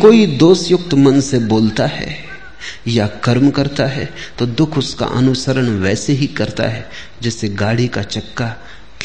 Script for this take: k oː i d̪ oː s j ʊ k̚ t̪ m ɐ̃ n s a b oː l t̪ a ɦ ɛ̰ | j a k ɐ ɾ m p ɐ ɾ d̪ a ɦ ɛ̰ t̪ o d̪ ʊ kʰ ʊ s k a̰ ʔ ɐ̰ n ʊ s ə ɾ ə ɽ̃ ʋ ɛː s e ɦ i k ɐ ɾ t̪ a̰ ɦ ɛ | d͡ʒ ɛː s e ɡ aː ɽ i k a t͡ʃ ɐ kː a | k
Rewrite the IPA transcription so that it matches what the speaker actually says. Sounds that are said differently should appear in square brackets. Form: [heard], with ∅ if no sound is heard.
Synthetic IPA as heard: k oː i d̪ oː s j ʊ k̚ t̪ m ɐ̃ n s [e] b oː l t̪ a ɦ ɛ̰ | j a k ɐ ɾ m [k] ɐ ɾ [t̪] a ɦ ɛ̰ t̪ o d̪ ʊ kʰ ʊ s k a̰ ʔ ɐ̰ n ʊ s ə ɾ ə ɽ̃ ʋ ɛː s e ɦ i k ɐ ɾ t̪ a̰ ɦ ɛ | d͡ʒ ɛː s e ɡ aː ɽ i k a t͡ʃ ɐ kː a | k